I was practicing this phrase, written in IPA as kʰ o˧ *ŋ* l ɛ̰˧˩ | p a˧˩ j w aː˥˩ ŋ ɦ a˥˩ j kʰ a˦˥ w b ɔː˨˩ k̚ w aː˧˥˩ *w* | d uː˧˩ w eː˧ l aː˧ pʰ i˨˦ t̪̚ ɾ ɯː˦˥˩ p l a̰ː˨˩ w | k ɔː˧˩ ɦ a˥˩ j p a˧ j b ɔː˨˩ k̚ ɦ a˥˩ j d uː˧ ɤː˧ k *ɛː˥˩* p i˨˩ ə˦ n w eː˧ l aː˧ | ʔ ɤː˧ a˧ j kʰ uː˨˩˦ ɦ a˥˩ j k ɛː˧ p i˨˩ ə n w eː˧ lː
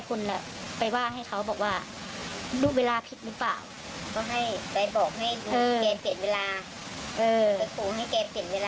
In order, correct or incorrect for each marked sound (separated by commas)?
incorrect, incorrect, incorrect